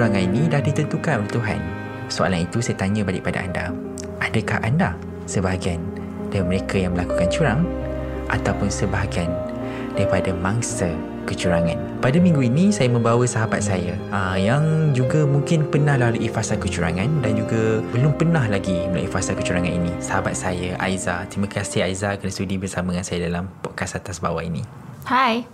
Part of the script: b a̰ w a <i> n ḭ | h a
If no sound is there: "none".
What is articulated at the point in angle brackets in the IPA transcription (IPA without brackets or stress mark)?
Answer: i